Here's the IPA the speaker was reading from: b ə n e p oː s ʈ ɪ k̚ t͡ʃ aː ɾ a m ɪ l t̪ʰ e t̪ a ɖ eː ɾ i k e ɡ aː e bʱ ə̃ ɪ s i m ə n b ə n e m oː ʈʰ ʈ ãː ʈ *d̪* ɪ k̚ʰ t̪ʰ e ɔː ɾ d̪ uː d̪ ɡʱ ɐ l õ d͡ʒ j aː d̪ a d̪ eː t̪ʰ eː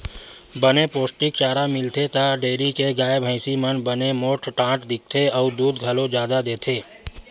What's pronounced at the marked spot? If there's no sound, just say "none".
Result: d̪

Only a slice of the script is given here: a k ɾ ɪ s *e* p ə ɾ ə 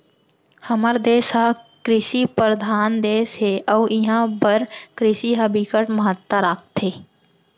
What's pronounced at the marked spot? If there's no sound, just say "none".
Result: i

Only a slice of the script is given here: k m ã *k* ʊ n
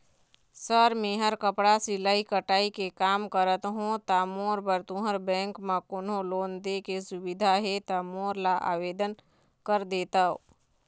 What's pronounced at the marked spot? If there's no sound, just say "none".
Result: k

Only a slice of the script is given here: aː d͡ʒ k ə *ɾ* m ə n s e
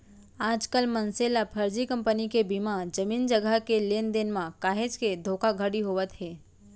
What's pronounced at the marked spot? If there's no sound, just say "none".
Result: l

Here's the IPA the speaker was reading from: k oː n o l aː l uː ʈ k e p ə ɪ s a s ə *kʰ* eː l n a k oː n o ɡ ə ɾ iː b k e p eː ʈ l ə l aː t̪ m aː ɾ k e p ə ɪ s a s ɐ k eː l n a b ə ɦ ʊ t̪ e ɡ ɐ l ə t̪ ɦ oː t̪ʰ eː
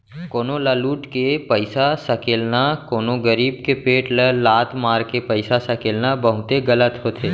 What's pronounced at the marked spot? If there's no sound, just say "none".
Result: k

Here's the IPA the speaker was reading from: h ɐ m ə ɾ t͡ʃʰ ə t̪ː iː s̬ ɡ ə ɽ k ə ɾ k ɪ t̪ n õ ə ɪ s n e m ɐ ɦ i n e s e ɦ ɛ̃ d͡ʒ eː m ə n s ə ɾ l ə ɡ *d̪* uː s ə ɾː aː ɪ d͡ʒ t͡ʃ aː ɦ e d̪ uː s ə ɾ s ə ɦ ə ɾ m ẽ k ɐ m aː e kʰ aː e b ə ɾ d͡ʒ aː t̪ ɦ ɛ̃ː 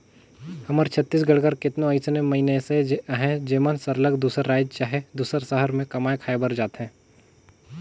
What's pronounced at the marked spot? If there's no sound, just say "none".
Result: d̪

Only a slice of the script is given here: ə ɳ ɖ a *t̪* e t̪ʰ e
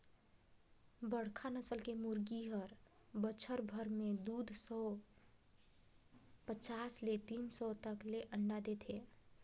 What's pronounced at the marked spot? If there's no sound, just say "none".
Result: d̪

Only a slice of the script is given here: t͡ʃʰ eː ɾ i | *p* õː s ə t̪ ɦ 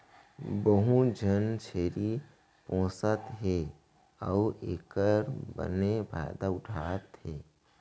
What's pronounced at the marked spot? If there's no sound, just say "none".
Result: p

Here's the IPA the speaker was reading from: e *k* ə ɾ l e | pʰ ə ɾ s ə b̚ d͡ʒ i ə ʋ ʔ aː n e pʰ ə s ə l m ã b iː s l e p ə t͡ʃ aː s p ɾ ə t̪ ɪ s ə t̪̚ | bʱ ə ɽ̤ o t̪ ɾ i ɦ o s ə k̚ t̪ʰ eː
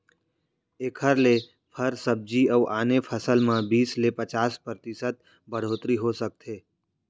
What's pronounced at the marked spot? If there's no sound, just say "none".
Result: kʰ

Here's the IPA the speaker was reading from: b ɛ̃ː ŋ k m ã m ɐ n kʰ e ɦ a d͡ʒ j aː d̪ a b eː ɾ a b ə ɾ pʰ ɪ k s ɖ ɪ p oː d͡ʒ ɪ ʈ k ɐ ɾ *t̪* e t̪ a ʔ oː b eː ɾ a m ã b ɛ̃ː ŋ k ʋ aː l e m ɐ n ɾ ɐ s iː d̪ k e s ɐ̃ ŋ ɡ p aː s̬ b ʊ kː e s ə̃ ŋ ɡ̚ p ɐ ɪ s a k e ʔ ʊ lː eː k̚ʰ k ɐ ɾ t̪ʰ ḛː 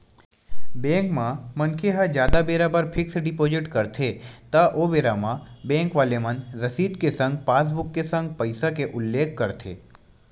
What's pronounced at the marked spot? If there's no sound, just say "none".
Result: t̪ʰ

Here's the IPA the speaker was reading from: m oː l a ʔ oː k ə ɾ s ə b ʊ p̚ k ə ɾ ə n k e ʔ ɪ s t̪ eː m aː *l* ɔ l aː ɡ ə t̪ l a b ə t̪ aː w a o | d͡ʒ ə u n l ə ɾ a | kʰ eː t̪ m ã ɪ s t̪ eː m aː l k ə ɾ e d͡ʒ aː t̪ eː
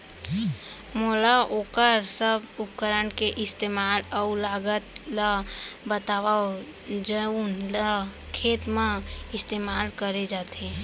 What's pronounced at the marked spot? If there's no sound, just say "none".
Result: l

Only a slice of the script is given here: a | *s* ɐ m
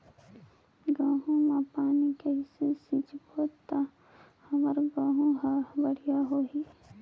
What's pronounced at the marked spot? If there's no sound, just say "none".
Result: h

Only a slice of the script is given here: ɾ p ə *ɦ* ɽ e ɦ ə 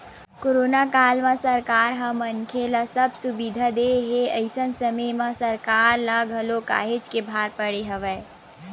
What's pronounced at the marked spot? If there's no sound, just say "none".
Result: none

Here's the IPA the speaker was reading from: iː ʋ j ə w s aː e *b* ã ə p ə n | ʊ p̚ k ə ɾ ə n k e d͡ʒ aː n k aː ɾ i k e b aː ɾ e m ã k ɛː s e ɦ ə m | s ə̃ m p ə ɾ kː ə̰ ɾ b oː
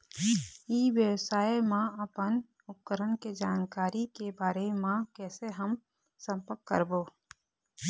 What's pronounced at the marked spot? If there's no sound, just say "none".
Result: m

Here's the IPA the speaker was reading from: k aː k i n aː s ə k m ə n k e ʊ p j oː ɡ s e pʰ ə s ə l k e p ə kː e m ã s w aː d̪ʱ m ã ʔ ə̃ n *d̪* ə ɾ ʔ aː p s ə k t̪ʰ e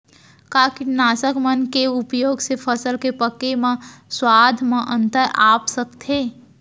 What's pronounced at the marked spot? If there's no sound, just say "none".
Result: t̪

